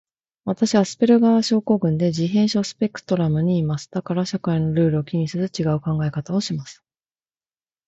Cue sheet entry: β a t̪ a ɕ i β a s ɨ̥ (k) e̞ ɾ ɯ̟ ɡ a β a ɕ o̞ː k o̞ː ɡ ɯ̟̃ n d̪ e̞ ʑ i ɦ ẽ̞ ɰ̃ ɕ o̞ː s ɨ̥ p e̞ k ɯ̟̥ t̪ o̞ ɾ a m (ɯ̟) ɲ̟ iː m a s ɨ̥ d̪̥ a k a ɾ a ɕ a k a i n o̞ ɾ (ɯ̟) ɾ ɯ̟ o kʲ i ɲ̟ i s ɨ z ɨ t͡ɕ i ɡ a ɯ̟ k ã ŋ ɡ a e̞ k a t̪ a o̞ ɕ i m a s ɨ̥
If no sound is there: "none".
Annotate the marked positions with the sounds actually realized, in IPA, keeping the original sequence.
p, ɯ̟, ɯ̟ː

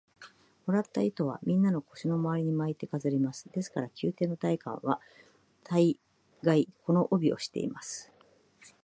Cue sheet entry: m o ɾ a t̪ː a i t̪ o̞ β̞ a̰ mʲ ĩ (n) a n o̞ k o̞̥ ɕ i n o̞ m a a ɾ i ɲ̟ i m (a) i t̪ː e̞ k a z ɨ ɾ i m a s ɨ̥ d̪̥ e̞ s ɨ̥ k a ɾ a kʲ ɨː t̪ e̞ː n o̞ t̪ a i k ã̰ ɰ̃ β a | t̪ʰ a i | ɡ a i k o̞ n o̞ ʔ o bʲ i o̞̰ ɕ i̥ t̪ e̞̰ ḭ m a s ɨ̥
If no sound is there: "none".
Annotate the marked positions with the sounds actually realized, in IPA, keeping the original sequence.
nː, a

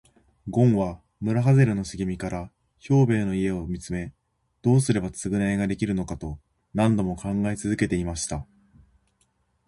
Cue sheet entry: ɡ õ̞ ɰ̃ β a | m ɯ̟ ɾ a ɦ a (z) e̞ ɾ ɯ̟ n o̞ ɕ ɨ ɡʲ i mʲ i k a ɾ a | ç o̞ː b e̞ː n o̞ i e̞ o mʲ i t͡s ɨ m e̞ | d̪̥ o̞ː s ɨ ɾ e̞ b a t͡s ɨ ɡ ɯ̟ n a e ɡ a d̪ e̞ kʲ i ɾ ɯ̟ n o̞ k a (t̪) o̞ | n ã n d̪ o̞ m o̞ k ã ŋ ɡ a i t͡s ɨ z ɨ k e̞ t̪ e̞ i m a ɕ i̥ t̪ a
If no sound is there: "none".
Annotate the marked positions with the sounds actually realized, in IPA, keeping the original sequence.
z, t̪

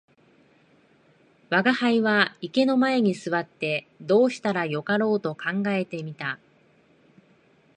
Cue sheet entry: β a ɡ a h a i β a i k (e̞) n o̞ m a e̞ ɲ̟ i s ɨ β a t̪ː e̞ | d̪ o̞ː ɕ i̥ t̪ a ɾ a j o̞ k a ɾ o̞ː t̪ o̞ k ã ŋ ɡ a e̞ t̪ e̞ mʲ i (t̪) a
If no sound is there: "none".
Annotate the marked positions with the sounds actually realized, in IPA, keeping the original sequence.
e̞, t̪

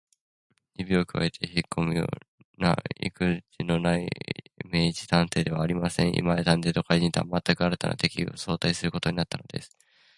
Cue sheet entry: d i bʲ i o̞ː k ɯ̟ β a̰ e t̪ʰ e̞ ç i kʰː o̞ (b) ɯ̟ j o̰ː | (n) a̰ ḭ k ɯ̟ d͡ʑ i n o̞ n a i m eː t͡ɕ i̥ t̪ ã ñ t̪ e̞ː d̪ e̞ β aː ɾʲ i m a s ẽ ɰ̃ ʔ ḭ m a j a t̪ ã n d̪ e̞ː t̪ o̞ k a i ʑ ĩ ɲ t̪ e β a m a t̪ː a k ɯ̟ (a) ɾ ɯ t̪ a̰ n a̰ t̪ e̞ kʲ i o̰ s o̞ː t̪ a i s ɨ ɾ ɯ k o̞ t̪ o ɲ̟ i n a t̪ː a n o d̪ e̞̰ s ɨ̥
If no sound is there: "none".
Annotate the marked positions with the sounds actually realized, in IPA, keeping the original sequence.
m, n, a

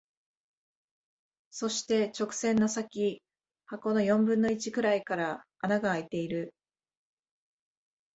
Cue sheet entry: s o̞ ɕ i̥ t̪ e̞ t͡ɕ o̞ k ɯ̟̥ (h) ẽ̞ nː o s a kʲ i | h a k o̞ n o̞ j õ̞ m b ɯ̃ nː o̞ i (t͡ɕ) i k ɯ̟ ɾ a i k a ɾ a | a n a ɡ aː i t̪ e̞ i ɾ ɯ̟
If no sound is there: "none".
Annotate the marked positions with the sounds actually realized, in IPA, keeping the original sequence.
s, t͡ɕ

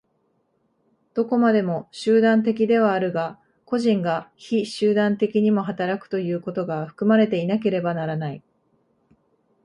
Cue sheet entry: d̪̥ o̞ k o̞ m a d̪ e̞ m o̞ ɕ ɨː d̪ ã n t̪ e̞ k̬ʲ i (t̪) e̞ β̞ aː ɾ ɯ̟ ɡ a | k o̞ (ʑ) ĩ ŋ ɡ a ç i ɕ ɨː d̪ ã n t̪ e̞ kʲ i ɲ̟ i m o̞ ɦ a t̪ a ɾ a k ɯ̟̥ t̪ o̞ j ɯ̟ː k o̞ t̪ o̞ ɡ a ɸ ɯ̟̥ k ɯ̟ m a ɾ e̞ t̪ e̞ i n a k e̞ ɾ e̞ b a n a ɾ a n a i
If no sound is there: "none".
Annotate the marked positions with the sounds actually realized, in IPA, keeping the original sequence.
d̪, ʑ

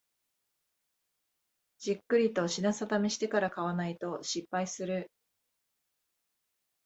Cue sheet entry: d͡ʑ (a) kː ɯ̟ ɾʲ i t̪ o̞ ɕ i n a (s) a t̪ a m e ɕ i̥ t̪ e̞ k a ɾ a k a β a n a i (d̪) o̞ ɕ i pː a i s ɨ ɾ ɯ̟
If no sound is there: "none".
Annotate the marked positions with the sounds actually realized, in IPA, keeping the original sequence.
i, s, t̪

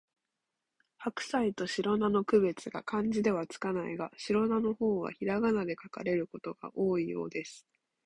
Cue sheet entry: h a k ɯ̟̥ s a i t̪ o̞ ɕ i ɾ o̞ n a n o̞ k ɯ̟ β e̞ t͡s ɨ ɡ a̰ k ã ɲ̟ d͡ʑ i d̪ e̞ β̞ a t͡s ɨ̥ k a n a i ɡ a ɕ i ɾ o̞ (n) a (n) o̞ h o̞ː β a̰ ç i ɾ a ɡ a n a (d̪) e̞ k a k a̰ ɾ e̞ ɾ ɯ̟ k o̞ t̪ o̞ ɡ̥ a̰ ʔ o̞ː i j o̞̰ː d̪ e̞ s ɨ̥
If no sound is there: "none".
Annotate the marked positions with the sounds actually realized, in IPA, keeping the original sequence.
n, n, d̪

